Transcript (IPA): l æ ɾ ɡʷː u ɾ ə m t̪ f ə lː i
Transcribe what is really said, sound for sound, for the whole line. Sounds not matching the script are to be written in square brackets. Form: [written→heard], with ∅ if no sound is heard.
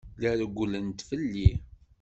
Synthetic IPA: l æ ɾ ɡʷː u [ɾ→l] ə [m→n] t̪ f ə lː i